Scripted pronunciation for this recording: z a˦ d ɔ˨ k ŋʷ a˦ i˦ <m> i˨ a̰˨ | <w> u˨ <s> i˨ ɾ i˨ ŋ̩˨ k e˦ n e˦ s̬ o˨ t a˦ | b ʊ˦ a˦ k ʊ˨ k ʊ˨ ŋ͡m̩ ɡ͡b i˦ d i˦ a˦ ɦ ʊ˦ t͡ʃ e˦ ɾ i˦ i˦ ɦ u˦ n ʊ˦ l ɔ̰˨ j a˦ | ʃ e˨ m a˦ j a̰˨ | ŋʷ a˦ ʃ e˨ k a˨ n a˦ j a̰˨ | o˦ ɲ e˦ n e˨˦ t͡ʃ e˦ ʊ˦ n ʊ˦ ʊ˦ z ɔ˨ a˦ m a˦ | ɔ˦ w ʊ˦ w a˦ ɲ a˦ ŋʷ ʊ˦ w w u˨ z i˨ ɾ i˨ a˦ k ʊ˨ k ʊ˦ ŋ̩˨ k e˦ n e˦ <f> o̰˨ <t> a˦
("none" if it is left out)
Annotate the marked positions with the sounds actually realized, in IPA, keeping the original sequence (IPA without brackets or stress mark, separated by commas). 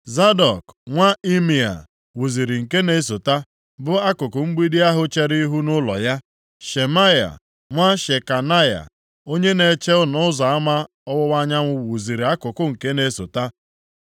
m, w, z, s, t